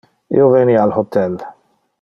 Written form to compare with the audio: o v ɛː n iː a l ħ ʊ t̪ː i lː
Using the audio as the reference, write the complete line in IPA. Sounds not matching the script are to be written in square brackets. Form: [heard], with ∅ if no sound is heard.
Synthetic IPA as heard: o v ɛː n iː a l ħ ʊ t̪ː [ɛ] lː